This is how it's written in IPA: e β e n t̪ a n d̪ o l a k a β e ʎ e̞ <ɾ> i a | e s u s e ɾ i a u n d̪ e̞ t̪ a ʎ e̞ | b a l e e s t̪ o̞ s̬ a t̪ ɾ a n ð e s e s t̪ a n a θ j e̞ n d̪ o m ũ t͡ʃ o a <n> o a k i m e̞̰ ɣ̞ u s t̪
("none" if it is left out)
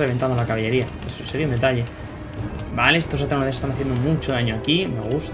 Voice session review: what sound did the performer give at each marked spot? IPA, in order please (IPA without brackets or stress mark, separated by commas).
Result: ɾ, ɲ